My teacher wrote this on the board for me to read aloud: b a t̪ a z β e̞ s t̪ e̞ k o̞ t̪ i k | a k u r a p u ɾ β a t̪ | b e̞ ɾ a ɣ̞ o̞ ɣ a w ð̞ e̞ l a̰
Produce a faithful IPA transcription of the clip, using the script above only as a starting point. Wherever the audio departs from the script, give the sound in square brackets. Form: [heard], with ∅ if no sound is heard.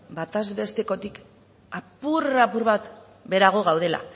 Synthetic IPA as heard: b a t̪ a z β e̞ s t̪ e̞ k o̞ t̪ i k | a [p] u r a p u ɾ β a t̪ | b e̞ ɾ a ɣ̞ o̞ ɣ a w ð̞ e̞ l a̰